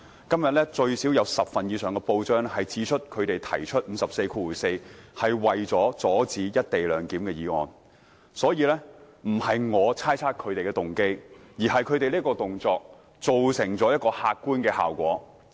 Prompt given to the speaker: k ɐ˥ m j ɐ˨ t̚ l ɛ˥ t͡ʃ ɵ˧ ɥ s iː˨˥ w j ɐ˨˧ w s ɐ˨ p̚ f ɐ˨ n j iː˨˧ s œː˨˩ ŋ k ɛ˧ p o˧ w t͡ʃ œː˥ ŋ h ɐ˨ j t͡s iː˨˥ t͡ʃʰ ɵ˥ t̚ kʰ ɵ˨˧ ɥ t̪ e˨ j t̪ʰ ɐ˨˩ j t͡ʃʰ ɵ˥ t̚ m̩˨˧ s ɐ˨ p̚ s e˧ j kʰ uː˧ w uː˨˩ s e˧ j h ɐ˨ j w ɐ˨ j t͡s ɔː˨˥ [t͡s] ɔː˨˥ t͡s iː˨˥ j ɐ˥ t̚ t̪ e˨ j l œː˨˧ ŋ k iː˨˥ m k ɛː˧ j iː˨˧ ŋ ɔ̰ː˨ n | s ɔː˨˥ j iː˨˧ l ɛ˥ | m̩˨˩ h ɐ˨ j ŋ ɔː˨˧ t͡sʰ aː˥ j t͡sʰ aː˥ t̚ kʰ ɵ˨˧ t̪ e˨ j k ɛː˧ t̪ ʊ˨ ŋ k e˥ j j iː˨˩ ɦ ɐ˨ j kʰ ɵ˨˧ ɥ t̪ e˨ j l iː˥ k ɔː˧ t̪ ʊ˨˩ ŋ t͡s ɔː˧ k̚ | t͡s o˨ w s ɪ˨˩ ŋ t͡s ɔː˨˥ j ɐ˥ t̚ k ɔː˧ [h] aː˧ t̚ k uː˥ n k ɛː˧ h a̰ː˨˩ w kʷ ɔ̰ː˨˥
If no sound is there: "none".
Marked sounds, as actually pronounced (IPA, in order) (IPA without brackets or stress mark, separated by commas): t͡s, h